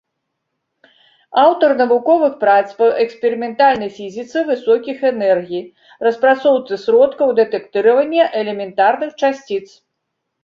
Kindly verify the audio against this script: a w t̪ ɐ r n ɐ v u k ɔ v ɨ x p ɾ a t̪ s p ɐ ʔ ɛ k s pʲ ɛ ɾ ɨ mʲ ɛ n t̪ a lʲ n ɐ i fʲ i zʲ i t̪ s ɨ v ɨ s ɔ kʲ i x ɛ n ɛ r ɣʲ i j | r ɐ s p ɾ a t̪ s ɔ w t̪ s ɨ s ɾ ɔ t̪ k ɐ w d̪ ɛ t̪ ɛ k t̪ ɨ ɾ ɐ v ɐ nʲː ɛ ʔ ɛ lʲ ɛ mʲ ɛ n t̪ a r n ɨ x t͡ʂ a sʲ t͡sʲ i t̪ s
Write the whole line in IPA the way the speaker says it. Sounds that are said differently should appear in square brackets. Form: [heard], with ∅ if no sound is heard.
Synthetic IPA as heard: a w t̪ ɐ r n ɐ v u k ɔ v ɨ x p ɾ a t̪ s p ɐ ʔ ɛ k s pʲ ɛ ɾ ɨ mʲ ɛ n t̪ a lʲ n ɐ [j] fʲ i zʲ i t̪ s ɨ v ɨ s ɔ kʲ i x ɛ n ɛ r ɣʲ i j | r ɐ s p ɾ a t̪ s ɔ w t̪ s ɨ s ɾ ɔ t̪ k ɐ w d̪ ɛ t̪ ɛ k t̪ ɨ ɾ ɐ v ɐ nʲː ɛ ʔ ɛ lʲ ɛ mʲ ɛ n t̪ a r n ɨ x t͡ʂ a sʲ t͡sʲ i t̪ s